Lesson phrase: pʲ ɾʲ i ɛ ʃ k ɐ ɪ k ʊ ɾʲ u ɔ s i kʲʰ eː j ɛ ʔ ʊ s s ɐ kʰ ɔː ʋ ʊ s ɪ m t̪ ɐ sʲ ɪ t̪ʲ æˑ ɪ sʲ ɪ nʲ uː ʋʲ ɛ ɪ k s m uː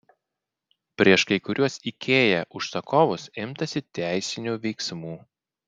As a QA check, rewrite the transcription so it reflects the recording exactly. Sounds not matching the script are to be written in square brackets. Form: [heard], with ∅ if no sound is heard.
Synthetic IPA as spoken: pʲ ɾʲ i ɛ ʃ k ɐ ɪ k ʊ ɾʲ u ɔ s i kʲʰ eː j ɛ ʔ ʊ [ʃ] s ɐ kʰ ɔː ʋ ʊ s ɪ m t̪ ɐ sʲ ɪ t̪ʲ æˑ ɪ sʲ ɪ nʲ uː ʋʲ ɛ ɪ k s m uː